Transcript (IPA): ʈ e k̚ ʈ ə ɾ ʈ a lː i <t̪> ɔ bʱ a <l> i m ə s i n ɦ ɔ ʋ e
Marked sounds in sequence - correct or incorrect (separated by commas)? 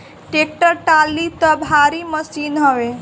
correct, incorrect